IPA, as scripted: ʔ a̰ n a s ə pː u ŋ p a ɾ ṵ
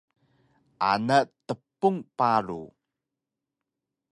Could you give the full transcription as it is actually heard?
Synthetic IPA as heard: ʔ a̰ n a t ə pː u ŋ p a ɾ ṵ

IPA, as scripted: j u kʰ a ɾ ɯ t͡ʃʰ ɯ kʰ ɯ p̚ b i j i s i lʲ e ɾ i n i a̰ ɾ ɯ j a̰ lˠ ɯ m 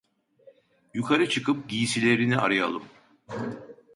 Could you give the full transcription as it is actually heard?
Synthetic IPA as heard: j u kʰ a ɾ ɯ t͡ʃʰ ɯ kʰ ɯ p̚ ɟ i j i s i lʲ e ɾ i n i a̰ ɾ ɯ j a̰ lˠ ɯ m

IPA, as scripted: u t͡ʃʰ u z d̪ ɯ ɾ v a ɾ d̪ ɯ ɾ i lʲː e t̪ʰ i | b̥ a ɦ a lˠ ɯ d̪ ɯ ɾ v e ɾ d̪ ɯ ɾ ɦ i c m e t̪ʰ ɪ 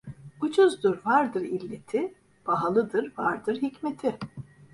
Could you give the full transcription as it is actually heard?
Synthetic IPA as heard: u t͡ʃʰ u z d̪ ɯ ɾ v a ɾ d̪ ɯ ɾ i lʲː e t̪ʰ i | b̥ a ɦ a lˠ ɯ d̪ ɯ ɾ v a ɾ d̪ ɯ ɾ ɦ i c m e t̪ʰ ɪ

